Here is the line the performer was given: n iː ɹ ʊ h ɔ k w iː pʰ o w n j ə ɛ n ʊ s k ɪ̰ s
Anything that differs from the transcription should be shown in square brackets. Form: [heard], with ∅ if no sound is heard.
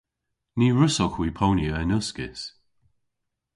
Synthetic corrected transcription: n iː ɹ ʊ [s] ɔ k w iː pʰ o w n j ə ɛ n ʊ s k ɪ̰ s